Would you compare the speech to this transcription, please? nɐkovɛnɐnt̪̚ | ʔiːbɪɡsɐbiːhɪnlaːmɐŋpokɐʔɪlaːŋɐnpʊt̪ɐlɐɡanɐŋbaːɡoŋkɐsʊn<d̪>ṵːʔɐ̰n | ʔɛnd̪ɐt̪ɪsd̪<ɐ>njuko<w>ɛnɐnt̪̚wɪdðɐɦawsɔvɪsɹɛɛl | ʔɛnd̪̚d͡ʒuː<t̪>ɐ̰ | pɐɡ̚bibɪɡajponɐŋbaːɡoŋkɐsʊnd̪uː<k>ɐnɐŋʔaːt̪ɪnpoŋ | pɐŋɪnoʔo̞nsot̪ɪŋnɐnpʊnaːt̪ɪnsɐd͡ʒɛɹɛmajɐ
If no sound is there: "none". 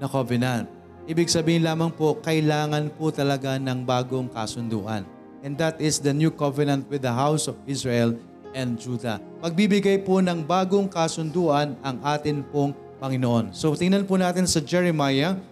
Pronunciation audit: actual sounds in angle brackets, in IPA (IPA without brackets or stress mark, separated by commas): d̪, ɐ, v, d̪, ʔ